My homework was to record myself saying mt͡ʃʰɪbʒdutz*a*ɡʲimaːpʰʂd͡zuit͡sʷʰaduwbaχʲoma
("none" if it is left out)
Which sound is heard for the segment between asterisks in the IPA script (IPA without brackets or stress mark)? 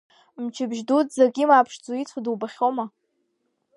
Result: a